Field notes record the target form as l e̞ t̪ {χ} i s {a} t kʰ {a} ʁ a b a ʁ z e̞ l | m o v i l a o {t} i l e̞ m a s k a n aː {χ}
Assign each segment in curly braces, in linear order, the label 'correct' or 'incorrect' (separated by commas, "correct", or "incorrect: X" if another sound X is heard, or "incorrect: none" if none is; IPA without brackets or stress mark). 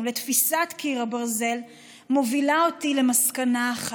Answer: incorrect: f, correct, incorrect: i, correct, correct